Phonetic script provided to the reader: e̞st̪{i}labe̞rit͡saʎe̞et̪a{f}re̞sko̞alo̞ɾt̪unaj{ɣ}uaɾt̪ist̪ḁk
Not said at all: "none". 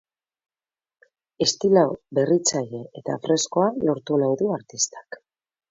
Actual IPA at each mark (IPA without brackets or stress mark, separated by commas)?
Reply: i, f, ð